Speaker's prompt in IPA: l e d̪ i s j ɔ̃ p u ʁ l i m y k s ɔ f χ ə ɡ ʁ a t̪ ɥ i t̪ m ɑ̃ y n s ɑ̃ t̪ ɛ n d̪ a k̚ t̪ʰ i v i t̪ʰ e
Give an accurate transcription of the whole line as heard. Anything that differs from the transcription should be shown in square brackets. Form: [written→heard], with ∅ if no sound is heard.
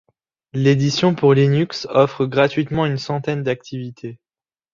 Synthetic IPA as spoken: l e d̪ i s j ɔ̃ p u ʁ l i [m→n] y k s ɔ f χ ə ɡ ʁ a t̪ ɥ i t̪ m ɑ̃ y n s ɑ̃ t̪ ɛ n d̪ a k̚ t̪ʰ i v i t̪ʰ e